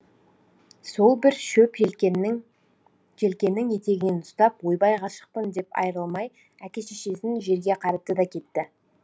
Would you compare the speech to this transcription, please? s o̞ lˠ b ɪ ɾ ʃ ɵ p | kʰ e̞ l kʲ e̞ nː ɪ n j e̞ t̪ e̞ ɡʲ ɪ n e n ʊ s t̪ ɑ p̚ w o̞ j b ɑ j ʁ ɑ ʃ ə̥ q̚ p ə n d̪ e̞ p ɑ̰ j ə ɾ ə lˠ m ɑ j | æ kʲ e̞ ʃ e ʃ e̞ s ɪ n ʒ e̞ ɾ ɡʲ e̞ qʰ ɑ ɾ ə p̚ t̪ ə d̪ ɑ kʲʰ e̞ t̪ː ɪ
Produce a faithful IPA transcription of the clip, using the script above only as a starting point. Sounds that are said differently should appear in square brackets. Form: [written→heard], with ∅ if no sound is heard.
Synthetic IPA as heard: s o̞ lˠ b ɪ ɾ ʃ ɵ p | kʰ e̞ l kʲ e̞ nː ɪ [n→ŋ] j e̞ t̪ e̞ ɡʲ ɪ n e n ʊ s t̪ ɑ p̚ w o̞ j b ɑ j ʁ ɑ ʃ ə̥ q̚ p ə n d̪ e̞ p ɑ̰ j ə ɾ ə lˠ m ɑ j | æ kʲ e̞ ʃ e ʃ e̞ s ɪ n ʒ e̞ ɾ ɡʲ e̞ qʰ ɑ ɾ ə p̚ t̪ ə d̪ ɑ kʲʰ e̞ t̪ː ɪ

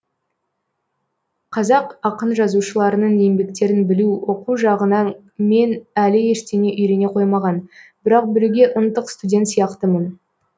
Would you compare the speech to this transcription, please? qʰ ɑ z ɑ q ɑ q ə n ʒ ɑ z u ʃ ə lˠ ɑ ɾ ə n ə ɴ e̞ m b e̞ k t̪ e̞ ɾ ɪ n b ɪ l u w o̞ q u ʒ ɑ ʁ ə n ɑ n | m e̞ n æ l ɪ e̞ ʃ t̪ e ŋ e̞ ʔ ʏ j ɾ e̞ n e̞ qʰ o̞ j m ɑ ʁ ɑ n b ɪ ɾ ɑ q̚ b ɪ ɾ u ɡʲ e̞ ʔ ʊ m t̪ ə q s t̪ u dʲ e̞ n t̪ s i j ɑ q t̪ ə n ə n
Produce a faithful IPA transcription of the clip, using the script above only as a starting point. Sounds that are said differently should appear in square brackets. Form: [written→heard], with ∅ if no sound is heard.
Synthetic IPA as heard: qʰ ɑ z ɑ q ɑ q ə n ʒ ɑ z u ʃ ə lˠ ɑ ɾ ə n ə ɴ e̞ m b e̞ k t̪ e̞ ɾ ɪ n b ɪ l u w o̞ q u ʒ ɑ ʁ ə n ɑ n | m e̞ n æ l ɪ e̞ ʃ t̪ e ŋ e̞ ʔ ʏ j ɾ e̞ n e̞ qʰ o̞ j m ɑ ʁ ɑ n b ɪ ɾ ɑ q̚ b ɪ ɾ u ɡʲ e̞ ʔ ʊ [m→n] t̪ ə q s t̪ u dʲ e̞ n t̪ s i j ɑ q t̪ ə [n→m] ə n

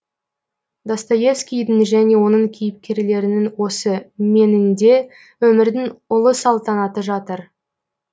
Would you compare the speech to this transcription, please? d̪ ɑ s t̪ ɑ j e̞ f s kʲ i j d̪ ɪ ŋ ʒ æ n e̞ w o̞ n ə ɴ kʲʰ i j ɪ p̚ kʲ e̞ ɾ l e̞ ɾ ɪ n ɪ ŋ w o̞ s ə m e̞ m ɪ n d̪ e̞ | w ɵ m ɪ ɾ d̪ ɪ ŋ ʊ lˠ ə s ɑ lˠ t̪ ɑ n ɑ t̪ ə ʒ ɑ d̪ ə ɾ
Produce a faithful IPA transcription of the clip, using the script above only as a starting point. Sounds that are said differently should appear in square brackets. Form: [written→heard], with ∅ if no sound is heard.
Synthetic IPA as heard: d̪ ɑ s t̪ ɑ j e̞ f s kʲ i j d̪ ɪ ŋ ʒ æ n e̞ w o̞ n ə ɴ kʲʰ i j ɪ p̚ kʲ e̞ ɾ l e̞ ɾ ɪ n ɪ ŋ w o̞ s ə m e̞ [m→n] ɪ n d̪ e̞ | w ɵ m ɪ ɾ d̪ ɪ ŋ ʊ lˠ ə s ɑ lˠ t̪ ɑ n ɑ t̪ ə ʒ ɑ [d̪→t̪] ə ɾ

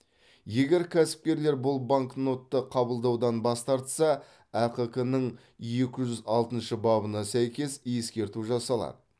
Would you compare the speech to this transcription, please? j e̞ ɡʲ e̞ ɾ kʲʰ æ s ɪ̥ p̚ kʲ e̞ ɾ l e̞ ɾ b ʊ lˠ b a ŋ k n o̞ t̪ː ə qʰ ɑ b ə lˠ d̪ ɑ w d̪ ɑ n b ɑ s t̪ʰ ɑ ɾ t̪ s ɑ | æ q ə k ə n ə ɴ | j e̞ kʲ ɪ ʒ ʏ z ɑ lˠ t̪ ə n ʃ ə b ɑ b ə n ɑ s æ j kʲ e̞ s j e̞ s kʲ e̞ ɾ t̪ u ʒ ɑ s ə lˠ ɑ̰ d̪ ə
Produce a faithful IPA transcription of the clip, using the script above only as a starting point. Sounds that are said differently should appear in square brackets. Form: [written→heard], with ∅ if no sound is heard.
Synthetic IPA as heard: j e̞ ɡʲ e̞ ɾ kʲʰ æ s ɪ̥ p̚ kʲ e̞ ɾ l e̞ ɾ b ʊ lˠ b a ŋ k n o̞ t̪ː ə qʰ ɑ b ə lˠ d̪ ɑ w d̪ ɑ n b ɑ s [t̪ʰ→t̪] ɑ ɾ t̪ s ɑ | æ q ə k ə n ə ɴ | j e̞ kʲ ɪ ʒ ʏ z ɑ lˠ t̪ ə n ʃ ə b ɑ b ə n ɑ s æ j kʲ e̞ s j e̞ s kʲ e̞ ɾ t̪ u ʒ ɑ s [ə→ɑ] lˠ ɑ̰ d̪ ə

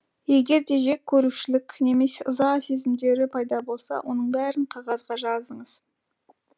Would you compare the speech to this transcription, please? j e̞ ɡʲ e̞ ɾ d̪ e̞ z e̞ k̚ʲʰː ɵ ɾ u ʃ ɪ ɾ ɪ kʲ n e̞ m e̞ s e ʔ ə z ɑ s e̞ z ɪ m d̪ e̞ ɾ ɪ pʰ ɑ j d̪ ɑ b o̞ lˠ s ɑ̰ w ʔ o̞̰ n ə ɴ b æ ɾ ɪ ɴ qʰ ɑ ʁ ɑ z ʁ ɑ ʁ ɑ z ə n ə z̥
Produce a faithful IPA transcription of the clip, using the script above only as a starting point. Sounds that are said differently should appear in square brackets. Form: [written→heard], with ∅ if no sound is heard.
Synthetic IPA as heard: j e̞ ɡʲ e̞ ɾ d̪ e̞ [z→ʒ] e̞ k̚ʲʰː ɵ ɾ u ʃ ɪ [ɾ→l] ɪ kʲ n e̞ m e̞ s e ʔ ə z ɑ s e̞ z ɪ m d̪ e̞ ɾ ɪ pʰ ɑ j d̪ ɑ b o̞ lˠ s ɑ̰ w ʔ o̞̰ n ə ɴ b æ ɾ ɪ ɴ qʰ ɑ ʁ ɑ z ʁ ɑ [ʁ→ʒ] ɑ z ə [n→ɴ] ə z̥

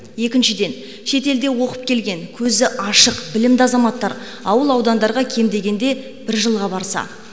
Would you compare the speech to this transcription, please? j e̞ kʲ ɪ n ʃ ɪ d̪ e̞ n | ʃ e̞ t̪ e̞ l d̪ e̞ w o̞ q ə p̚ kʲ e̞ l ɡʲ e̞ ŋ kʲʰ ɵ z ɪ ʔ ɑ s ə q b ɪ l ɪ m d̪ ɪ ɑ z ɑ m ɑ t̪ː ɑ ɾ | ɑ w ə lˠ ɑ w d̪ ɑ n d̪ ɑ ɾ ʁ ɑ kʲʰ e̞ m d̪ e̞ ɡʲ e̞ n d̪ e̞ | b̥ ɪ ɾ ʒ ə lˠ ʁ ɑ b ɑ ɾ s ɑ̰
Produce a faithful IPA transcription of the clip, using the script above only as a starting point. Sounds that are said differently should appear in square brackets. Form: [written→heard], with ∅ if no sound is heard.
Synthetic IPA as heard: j e̞ kʲ ɪ n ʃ ɪ d̪ e̞ n | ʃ e̞ t̪ e̞ l d̪ e̞ w o̞ q ə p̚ kʲ e̞ l ɡʲ e̞ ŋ kʲʰ ɵ z ɪ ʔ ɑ [s→ʃ] ə q b ɪ l ɪ m d̪ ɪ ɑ z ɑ m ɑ t̪ː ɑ ɾ | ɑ w ə lˠ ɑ w d̪ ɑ n d̪ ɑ ɾ ʁ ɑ kʲʰ e̞ m d̪ e̞ ɡʲ e̞ n d̪ e̞ | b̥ ɪ ɾ ʒ ə lˠ ʁ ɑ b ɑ ɾ s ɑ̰

